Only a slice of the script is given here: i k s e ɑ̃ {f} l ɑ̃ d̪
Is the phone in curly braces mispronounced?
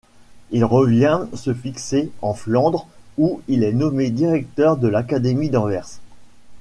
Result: no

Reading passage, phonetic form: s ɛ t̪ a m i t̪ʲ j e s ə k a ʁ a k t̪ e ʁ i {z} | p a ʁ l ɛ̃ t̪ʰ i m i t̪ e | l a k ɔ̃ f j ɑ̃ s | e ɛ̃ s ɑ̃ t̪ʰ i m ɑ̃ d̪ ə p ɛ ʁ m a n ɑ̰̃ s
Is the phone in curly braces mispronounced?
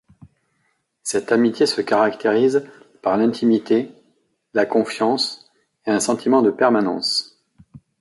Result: no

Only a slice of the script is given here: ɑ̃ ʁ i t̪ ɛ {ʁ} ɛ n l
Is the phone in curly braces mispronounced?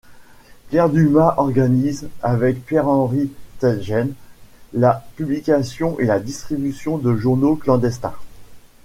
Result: yes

